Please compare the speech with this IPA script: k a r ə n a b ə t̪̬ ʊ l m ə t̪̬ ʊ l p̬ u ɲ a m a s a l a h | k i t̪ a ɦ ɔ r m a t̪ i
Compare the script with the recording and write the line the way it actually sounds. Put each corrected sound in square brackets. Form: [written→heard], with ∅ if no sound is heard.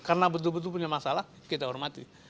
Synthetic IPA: k a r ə n a b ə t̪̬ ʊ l [m→b] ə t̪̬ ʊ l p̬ u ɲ a m a s a l a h | k i t̪ a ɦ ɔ r m a t̪ i